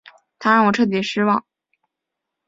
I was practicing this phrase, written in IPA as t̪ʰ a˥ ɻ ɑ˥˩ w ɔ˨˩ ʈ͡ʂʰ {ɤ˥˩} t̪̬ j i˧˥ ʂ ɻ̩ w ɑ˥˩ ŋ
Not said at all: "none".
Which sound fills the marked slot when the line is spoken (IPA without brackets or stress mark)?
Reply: ɤ˥˩